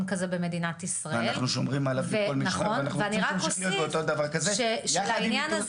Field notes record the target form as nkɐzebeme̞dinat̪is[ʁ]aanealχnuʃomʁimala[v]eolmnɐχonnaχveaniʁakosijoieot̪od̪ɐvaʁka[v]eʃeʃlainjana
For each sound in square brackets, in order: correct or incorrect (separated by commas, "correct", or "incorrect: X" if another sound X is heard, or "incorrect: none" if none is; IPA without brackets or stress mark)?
correct, correct, incorrect: z